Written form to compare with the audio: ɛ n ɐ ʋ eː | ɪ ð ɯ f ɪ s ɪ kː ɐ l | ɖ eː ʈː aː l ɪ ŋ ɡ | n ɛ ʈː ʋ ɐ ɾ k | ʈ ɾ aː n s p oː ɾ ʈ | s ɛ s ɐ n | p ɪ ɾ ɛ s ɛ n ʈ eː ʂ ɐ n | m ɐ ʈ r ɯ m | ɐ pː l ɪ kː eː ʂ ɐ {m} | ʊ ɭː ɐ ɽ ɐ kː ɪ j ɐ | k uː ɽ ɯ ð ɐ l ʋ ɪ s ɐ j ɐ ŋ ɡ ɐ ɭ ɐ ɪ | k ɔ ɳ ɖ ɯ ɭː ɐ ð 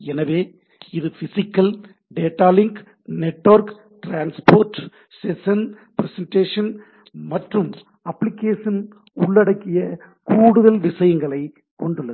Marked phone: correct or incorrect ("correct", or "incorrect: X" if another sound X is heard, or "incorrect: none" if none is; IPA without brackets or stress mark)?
incorrect: n